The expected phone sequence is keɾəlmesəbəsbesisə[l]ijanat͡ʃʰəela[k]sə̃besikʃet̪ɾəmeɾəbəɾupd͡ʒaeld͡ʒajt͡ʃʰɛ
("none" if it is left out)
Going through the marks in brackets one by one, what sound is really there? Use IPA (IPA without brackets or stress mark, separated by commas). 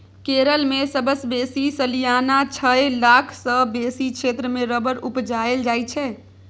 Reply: l, kʰ